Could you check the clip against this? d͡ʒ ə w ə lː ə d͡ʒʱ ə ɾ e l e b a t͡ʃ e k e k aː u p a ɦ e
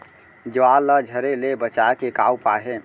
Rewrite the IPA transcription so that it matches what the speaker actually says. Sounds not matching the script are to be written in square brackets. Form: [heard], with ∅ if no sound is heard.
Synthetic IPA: d͡ʒ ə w [a] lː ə d͡ʒʱ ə ɾ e l e b [ə] t͡ʃ [a] k e k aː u p a ɦ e